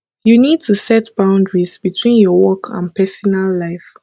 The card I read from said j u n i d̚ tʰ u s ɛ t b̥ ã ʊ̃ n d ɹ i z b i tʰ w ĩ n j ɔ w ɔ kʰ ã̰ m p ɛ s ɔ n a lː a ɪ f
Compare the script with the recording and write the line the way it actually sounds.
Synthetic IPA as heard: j u n i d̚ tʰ u s ɛ t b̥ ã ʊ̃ n d ɹ i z b i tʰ w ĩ n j ɔ w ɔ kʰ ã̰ n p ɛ s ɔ n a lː a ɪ f